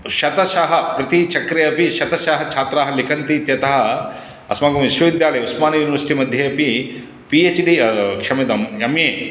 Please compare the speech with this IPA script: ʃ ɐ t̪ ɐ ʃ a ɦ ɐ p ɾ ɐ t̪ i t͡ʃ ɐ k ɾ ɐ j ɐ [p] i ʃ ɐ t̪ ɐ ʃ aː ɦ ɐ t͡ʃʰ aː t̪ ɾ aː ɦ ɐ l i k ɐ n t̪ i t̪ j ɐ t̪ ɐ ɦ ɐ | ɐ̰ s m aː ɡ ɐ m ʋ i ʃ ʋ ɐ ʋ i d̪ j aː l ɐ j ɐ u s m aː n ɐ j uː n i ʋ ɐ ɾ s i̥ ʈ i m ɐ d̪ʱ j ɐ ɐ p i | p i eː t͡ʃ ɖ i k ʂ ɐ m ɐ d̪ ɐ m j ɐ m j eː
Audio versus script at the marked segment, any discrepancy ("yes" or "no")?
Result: no